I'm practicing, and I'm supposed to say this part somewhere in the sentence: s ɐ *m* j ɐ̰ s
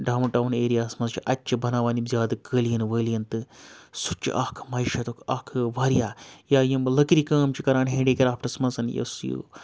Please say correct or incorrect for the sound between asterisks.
incorrect